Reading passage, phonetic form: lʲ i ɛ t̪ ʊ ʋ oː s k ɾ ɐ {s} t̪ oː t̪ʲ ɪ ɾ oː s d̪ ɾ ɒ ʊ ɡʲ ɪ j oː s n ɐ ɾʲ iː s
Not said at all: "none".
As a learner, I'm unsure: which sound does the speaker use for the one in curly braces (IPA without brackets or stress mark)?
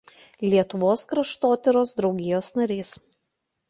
ʃ